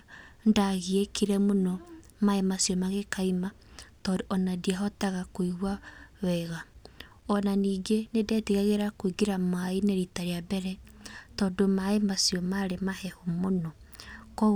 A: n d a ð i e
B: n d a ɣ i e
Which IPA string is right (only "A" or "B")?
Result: B